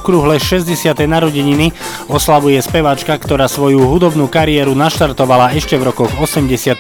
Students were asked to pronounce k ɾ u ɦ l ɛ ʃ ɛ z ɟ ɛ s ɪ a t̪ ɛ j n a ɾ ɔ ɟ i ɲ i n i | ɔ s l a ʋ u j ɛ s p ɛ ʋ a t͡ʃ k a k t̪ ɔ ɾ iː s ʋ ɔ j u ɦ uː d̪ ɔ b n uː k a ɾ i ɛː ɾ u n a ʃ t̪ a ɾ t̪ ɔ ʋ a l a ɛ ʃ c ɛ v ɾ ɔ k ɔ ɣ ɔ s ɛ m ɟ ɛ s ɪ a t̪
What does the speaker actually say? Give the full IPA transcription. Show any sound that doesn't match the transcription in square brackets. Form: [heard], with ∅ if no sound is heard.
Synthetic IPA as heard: k ɾ u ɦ l ɛ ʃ ɛ z ɟ ɛ s ɪ a t̪ ɛ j n a ɾ ɔ ɟ i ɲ i n i | ɔ s l a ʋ u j ɛ s p ɛ ʋ a t͡ʃ k a k t̪ ɔ ɾ [aː] s ʋ ɔ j u ɦ [u] d̪ ɔ b n uː k a ɾ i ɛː ɾ u n a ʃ t̪ a ɾ t̪ ɔ ʋ a l a ɛ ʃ c ɛ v ɾ ɔ k ɔ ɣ ɔ s ɛ m ɟ ɛ s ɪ a t̪